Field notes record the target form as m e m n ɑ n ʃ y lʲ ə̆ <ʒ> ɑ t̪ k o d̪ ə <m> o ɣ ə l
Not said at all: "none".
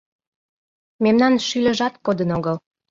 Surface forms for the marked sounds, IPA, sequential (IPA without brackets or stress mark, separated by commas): ʒ, n